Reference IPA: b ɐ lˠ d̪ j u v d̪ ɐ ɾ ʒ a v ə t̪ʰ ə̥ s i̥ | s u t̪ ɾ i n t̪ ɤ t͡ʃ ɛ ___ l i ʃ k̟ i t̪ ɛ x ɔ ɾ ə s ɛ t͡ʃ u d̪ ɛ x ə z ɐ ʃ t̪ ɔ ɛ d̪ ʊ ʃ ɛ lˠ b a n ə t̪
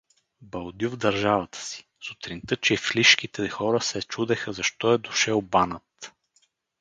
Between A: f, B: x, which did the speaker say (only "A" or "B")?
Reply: A